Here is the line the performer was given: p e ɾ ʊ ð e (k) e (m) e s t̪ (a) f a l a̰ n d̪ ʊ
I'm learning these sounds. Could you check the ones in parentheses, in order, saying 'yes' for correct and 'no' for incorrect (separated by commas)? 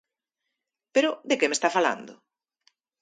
yes, yes, yes